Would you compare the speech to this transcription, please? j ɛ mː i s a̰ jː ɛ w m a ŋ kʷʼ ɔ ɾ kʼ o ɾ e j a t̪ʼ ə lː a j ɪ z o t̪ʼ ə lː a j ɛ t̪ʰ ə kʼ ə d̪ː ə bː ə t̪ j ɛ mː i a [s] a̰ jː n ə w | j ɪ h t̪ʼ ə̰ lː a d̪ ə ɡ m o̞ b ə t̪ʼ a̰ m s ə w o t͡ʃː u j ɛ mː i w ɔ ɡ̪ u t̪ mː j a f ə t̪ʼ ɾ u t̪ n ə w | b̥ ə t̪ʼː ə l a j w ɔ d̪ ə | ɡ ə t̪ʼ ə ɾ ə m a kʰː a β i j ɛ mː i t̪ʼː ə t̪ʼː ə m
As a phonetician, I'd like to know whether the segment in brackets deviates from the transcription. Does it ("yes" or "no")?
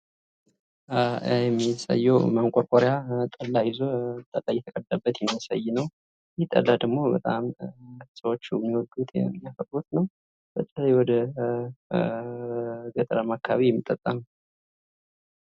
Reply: no